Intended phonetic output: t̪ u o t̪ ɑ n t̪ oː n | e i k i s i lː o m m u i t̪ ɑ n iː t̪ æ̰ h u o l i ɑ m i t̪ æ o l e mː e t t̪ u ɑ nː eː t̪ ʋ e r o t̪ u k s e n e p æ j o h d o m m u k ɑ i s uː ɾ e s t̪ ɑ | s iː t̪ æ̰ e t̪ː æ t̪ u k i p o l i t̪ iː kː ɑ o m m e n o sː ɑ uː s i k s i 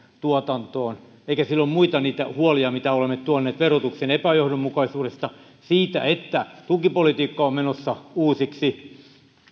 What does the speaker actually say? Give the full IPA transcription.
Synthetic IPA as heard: t̪ u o t̪ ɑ n t̪ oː n | e i k æ s i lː o m m u i t̪ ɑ n iː t̪ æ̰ h u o l i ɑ m i t̪ æ o l e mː e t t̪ u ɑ nː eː t̪ ʋ e r o t̪ u k s e n e p æ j o h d o m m u k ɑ i s uː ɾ e s t̪ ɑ | s iː t̪ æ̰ e t̪ː æ t̪ u k i p o l i t̪ iː kː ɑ o m m e n o sː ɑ uː s i k s i